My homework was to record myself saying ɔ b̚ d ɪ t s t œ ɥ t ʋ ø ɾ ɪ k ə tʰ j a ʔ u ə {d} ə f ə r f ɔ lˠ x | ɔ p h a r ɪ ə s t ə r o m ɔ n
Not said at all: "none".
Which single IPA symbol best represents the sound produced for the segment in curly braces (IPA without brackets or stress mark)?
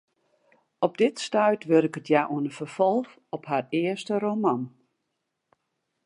n